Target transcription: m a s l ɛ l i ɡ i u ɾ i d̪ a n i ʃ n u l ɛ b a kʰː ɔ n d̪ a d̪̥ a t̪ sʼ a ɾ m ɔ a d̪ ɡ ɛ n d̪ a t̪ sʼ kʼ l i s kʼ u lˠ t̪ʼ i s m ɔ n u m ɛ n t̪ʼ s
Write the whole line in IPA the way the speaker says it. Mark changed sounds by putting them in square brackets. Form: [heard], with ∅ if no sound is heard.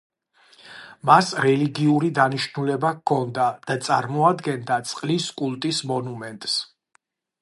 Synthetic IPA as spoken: m a s [ɾ] ɛ l i ɡ i u ɾ i d̪ a n i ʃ n u l ɛ b a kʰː ɔ n d̪ a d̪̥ a t̪ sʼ a ɾ m ɔ a d̪ ɡ ɛ n d̪ a t̪ sʼ [qʼ] l i s kʼ u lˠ t̪ʼ i s m ɔ n u m ɛ n t̪ʼ s